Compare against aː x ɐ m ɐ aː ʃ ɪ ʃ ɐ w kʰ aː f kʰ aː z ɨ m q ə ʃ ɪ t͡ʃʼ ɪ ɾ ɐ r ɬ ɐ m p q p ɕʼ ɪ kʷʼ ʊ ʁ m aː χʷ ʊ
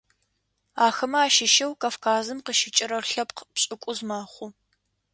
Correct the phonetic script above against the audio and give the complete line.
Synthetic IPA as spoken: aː x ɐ m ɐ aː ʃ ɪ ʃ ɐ w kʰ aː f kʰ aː z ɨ m q ə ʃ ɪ t͡ʃʼ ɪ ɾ ɐ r ɬ ɐ p q p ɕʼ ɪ kʷʼ ʊ z m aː χʷ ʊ